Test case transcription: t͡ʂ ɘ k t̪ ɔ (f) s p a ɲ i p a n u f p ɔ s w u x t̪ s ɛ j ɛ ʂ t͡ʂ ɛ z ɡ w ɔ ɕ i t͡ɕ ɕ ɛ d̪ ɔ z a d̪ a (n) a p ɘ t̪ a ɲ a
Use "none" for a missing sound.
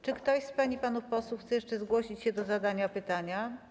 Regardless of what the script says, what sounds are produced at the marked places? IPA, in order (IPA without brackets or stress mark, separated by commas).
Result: ɕ, ɲ